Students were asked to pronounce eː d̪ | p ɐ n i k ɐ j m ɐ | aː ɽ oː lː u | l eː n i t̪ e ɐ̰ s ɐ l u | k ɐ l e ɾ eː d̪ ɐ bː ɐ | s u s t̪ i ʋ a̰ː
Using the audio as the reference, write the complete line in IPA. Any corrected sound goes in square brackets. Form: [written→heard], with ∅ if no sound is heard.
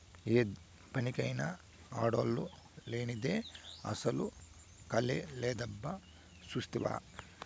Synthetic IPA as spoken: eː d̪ | p ɐ n i k ɐ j [m→n] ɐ | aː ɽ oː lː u | l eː n i [t̪→d̪] e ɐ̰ s ɐ l u | k ɐ l e [ɾ→l] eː d̪ ɐ bː ɐ | s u s t̪ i ʋ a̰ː